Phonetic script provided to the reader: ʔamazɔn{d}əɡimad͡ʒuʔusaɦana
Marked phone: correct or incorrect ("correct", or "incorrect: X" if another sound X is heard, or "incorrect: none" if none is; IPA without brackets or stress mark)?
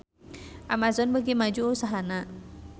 incorrect: b